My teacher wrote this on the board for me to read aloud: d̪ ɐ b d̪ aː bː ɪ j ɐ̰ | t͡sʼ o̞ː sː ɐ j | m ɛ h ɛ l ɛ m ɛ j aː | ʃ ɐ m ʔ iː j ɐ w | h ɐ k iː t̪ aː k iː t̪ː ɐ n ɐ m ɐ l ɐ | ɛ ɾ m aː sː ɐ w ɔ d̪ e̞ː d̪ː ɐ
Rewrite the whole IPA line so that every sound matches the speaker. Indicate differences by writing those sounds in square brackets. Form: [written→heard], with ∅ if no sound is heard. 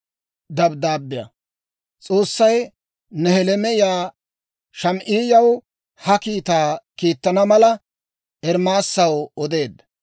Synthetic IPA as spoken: d̪ ɐ b d̪ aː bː ɪ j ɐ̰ | t͡sʼ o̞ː sː ɐ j | [m→n] ɛ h ɛ l ɛ m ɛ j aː | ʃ ɐ m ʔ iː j ɐ w | h ɐ k iː t̪ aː k iː t̪ː ɐ n ɐ m ɐ l ɐ | ɛ ɾ m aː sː ɐ w ɔ d̪ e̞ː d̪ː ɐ